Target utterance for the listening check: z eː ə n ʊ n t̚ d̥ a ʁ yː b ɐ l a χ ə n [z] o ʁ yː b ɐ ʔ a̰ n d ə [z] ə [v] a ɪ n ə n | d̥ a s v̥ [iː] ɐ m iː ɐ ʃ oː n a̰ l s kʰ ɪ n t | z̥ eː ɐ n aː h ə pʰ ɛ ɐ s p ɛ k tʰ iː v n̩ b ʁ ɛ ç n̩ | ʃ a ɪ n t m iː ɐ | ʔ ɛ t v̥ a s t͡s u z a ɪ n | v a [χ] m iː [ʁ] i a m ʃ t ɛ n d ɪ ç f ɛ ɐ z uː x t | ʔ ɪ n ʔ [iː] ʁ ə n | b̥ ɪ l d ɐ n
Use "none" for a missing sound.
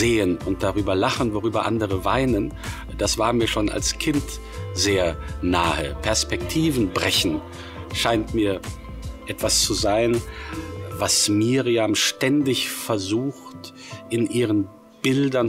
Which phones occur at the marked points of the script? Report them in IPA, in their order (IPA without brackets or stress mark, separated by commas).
v, ʁ, v, aː, s, ʁ, iː